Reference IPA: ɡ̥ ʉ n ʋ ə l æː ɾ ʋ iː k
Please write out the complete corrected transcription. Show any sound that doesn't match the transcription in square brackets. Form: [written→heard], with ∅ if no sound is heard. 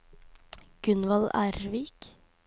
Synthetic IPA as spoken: ɡ̥ ʉ n ʋ [ə→ɑ] l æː ɾ ʋ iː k